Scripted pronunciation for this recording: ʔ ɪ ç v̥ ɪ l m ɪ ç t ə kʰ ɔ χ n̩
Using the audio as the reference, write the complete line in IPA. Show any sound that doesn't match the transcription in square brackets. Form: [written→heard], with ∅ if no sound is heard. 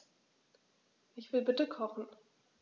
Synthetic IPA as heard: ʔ ɪ ç v̥ ɪ l [m→b] ɪ [ç→∅] t ə kʰ ɔ χ n̩